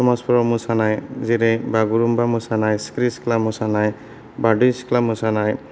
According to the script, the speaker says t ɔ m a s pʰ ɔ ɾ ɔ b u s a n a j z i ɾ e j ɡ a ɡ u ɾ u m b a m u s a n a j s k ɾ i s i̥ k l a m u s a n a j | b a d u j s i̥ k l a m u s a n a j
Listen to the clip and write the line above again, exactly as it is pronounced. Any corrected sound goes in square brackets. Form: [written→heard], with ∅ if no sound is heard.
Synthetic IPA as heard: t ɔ m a s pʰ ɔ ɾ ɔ [b→m] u s a n a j z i ɾ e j [ɡ→b] a ɡ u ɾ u m b a m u s a n a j s k ɾ i s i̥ k l a m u s a n a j | b a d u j s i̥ k l a m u s a n a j